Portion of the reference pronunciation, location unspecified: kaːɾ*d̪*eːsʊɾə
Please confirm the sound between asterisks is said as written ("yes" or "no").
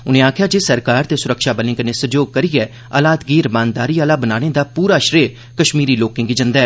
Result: no